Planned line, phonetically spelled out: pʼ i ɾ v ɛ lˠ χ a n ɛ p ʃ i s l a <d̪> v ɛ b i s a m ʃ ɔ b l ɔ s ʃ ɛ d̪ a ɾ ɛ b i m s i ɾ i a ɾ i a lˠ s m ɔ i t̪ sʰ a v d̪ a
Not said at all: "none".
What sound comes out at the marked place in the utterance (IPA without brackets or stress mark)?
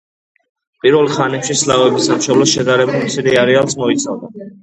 none